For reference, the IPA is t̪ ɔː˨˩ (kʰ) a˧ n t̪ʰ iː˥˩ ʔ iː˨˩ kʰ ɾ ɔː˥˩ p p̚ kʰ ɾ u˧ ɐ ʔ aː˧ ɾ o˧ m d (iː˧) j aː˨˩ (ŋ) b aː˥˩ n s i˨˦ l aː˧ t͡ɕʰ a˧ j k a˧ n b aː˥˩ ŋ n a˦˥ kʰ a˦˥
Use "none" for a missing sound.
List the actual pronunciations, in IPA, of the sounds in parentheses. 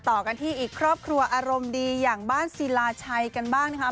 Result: k, iː˧, ŋ

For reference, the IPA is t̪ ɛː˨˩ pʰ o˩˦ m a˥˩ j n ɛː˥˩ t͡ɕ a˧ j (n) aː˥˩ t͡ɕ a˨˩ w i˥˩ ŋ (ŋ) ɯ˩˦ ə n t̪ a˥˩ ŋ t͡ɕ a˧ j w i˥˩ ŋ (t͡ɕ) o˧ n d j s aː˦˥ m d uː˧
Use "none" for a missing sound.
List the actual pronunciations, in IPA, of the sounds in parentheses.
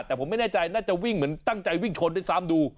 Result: n, m, t͡ɕʰ

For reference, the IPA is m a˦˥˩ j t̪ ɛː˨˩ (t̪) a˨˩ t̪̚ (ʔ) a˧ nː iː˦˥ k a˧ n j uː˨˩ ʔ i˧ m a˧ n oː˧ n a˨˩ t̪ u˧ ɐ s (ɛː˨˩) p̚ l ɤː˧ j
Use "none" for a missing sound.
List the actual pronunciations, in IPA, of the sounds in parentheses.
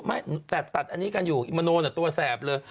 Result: t̪, ʔ, ɛː˨˩

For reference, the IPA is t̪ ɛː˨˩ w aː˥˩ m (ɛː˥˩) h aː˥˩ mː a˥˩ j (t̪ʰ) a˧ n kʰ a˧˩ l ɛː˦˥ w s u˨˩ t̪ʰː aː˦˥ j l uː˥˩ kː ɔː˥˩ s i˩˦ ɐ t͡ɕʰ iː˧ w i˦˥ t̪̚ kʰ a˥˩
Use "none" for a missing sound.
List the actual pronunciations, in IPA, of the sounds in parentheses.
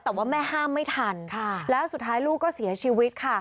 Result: ɛː˥˩, t̪ʰ

